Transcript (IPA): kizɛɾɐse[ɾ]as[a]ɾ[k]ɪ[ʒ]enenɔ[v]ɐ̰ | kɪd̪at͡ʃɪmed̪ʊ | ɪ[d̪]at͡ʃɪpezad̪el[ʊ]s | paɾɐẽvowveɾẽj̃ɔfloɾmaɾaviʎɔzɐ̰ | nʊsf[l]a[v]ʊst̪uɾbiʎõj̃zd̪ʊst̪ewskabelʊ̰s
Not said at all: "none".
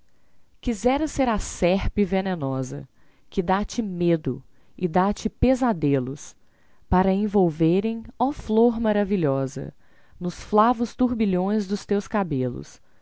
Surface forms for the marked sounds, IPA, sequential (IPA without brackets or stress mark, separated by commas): ɾ, ɛ, p, v, z, d̪, ʊ, l, v